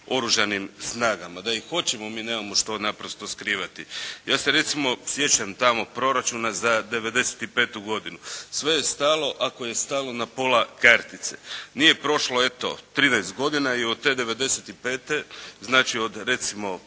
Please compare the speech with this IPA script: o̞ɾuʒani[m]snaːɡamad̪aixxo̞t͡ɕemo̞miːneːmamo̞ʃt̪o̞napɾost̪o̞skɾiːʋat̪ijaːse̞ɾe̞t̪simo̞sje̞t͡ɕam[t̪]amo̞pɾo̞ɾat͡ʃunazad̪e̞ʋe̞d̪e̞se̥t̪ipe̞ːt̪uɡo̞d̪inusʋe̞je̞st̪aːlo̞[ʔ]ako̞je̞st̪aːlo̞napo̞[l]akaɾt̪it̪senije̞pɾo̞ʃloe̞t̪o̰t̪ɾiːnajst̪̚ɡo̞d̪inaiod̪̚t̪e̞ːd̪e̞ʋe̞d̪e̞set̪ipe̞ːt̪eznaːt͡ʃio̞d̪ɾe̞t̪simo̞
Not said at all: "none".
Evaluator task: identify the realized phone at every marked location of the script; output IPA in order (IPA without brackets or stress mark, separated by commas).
m, t̪, ʔ, l